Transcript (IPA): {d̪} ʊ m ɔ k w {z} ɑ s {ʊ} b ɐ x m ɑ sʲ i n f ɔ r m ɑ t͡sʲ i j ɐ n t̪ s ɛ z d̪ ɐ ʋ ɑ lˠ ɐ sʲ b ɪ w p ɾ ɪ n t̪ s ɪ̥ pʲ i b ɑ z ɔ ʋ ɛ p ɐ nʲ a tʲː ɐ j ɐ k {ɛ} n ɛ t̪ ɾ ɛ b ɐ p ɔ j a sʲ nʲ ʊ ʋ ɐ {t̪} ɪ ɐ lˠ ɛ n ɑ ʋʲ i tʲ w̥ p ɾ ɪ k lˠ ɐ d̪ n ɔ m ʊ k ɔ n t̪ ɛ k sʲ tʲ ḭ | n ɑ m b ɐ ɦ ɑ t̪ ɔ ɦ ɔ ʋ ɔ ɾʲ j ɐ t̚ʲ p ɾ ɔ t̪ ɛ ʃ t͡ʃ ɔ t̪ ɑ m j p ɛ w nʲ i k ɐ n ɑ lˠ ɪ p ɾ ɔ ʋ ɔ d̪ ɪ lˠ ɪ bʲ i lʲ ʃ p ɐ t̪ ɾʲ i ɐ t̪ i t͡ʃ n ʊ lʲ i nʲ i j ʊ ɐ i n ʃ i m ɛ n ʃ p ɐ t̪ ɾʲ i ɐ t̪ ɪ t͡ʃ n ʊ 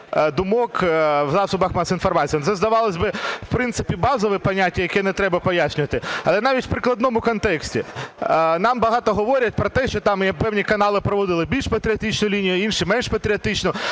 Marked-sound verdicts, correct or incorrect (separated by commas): correct, correct, correct, correct, correct